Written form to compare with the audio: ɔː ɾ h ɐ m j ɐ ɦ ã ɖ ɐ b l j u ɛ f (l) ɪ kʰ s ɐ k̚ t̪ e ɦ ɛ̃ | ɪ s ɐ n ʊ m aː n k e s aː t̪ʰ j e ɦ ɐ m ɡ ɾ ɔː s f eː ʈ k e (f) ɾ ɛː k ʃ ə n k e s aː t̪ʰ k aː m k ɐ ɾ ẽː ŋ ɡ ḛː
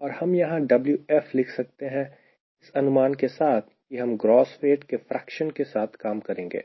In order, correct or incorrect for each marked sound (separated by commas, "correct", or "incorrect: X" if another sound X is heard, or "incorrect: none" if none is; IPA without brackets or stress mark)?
correct, correct